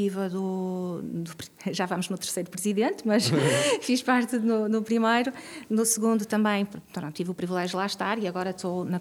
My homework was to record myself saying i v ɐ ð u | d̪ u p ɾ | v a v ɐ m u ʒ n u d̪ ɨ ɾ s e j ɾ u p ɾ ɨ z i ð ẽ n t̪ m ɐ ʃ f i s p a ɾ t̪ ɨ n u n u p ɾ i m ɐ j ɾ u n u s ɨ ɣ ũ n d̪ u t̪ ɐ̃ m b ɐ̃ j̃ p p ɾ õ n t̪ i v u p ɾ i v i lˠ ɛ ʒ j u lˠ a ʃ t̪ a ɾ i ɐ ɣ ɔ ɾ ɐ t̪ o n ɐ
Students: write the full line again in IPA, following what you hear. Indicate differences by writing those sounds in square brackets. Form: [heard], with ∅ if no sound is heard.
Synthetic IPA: i v ɐ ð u | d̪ u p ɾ | [ʒ] a v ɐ m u ʒ n u [t̪] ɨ ɾ s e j ɾ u p ɾ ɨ z i ð ẽ n t̪ m ɐ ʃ f i [ʃ] p a ɾ t̪ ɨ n u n u p ɾ i m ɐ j ɾ u n u s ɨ ɣ ũ n d̪ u t̪ ɐ̃ m b ɐ̃ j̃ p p ɾ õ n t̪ i v u p ɾ i v i lˠ ɛ ʒ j u lˠ a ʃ t̪ a ɾ i ɐ ɣ ɔ ɾ ɐ t̪ o n ɐ